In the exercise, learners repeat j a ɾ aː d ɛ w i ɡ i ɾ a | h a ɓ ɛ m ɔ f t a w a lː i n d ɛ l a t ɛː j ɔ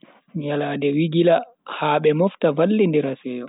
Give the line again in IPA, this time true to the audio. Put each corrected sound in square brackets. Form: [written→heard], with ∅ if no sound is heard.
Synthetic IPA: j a [ɾ→l] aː d ɛ w i ɡ i [ɾ→l] a | h a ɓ ɛ m ɔ f t a [w→v] a lː i n d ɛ [l→ɾ] a [t→s] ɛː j ɔ